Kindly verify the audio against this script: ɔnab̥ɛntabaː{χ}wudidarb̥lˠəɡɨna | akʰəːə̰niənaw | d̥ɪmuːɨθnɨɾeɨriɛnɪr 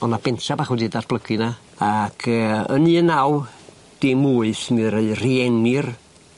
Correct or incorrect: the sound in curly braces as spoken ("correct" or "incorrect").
correct